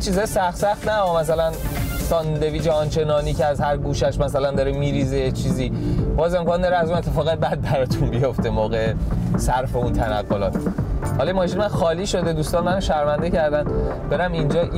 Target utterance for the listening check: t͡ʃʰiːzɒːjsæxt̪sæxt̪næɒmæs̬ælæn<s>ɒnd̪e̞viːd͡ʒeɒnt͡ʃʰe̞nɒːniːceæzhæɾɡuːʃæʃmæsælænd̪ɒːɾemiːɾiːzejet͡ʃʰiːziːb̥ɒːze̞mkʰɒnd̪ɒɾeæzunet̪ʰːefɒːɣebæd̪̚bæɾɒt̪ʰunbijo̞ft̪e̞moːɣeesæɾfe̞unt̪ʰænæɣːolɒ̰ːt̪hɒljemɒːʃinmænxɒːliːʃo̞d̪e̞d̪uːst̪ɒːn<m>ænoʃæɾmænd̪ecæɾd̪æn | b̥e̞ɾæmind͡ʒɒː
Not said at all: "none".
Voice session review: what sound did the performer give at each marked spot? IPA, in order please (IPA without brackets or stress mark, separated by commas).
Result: s, m